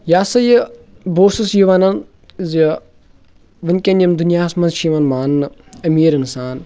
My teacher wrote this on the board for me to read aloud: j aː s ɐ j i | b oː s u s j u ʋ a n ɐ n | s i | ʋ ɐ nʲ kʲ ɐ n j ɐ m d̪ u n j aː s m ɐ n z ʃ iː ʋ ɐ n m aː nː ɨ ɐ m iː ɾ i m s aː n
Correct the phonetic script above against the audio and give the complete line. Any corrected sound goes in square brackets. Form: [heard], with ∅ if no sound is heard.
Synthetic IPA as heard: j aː s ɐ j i | b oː s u s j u ʋ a n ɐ n | [z] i | ʋ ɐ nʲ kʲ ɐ n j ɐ m d̪ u n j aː s m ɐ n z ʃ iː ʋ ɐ n m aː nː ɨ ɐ m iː ɾ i [n] s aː n